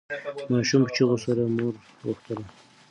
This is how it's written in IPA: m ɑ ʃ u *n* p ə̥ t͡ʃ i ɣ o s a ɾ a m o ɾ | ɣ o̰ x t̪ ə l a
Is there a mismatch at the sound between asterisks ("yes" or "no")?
yes